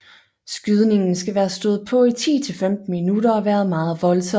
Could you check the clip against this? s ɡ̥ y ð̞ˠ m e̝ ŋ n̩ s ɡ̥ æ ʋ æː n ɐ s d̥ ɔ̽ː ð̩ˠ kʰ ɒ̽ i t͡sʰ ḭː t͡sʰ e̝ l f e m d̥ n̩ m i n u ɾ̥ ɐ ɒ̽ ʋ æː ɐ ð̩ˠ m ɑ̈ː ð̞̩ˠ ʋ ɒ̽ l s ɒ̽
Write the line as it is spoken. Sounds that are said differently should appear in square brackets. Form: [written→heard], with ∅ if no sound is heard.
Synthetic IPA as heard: s ɡ̥ y ð̞ˠ [m→n] e̝ ŋ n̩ s ɡ̥ æ ʋ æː [n→∅] ɐ s d̥ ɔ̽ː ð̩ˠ [kʰ→pʰ] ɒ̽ i t͡sʰ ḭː t͡sʰ e̝ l f e m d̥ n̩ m i n u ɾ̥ ɐ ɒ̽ ʋ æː ɐ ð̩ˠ m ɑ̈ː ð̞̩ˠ ʋ ɒ̽ l s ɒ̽